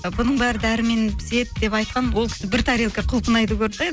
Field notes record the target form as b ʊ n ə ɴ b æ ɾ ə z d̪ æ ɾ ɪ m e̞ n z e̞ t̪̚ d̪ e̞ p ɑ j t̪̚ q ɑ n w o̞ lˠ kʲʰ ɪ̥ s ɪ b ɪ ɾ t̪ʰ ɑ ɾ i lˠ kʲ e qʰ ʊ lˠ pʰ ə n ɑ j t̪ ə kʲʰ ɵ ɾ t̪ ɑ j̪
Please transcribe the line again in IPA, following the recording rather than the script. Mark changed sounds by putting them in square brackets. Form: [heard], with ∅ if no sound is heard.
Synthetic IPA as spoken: b ʊ n ə ɴ b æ ɾ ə [∅] d̪ æ ɾ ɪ m e̞ n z e̞ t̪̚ d̪ e̞ p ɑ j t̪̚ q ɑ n w o̞ lˠ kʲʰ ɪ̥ s ɪ b ɪ ɾ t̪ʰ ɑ ɾ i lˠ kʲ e qʰ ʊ lˠ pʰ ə n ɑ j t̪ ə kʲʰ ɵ ɾ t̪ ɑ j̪